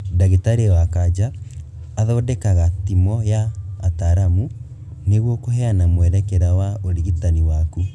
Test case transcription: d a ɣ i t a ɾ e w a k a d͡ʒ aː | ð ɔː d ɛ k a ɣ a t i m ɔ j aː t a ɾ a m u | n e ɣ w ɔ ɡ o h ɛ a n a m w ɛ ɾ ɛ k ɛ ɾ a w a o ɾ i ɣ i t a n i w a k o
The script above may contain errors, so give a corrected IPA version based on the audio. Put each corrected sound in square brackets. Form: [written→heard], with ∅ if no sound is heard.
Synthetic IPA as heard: d a ɣ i t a ɾ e w a k a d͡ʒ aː | ð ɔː d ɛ k a ɣ a t i m ɔ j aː t a ɾ a m u | n e ɣ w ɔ [ɡ→k] o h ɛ a n a m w ɛ ɾ ɛ k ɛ ɾ a w a o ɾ i ɣ i t a n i w a k [o→u]